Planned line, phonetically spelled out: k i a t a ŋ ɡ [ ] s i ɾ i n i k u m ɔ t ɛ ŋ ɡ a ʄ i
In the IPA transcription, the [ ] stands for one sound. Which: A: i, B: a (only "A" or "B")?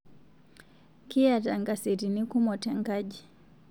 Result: B